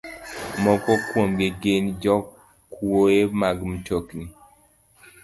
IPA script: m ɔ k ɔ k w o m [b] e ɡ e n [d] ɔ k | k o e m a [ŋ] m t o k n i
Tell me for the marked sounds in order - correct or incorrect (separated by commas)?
incorrect, incorrect, incorrect